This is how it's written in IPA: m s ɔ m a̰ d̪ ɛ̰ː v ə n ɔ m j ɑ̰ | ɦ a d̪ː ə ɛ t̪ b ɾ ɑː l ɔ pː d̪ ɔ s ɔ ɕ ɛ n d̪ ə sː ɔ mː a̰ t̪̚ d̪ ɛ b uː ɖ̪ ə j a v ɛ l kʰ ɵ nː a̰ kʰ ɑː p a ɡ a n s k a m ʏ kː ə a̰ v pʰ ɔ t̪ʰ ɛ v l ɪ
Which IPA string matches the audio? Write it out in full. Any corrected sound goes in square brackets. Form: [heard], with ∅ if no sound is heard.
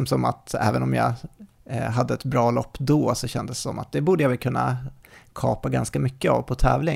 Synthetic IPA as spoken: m s ɔ m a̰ [t̪] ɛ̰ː v ə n ɔ m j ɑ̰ | ɦ a d̪ː ə ɛ t̪ b ɾ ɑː l ɔ pː d̪ ɔ s ɔ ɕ ɛ n d̪ ə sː ɔ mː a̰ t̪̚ d̪ ɛ b uː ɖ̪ ə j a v ɛ l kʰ ɵ nː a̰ kʰ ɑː p a ɡ a n s k a m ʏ kː ə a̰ v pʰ ɔ t̪ʰ [ɛː] v l ɪ